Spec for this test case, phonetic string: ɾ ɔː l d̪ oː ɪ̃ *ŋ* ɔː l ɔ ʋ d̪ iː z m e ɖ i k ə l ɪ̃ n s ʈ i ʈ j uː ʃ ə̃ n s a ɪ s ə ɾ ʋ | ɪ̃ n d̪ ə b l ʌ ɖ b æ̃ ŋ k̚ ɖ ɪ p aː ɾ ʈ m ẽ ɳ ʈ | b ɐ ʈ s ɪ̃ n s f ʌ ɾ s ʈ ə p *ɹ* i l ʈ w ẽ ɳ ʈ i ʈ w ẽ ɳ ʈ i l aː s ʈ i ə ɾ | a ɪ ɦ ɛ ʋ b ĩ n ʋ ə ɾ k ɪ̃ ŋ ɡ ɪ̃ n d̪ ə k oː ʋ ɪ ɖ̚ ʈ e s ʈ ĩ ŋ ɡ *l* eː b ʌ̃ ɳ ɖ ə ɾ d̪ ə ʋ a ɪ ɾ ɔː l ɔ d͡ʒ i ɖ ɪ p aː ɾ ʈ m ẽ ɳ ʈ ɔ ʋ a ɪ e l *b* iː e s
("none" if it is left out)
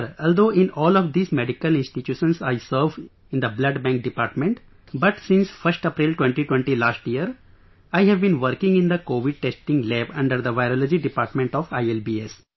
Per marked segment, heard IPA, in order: n, ɾ, l, b

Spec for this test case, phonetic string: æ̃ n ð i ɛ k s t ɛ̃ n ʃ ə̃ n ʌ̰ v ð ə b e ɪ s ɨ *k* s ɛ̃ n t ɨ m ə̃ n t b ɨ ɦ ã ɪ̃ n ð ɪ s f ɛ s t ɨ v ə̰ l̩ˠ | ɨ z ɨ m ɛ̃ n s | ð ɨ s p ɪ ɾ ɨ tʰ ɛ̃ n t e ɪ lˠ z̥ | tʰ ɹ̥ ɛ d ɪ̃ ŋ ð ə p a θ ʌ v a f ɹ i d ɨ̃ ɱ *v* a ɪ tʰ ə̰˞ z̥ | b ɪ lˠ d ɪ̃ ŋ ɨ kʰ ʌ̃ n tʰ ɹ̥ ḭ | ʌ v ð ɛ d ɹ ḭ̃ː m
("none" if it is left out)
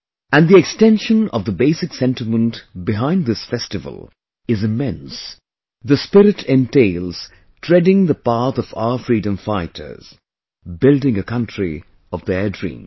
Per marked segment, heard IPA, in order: k, f

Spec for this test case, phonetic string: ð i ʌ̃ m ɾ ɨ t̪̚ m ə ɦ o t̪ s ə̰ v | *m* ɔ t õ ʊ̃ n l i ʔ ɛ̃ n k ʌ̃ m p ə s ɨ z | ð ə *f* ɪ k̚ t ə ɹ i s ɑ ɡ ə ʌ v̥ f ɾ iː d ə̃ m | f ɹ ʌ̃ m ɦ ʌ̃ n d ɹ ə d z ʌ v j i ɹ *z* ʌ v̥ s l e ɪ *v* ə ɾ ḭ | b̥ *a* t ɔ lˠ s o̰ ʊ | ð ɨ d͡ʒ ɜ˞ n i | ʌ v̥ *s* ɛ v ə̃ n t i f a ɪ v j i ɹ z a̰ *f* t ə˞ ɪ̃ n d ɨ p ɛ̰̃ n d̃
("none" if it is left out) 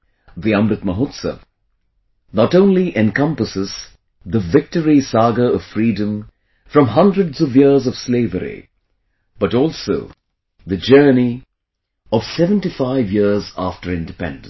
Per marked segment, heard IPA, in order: n, v, z, v, ʌ, s, f

